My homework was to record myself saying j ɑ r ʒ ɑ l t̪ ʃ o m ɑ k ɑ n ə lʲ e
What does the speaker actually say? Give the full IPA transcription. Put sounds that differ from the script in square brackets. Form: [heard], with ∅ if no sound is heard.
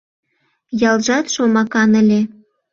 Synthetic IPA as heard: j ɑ [l] ʒ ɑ [∅] t̪ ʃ o m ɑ k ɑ n ə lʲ e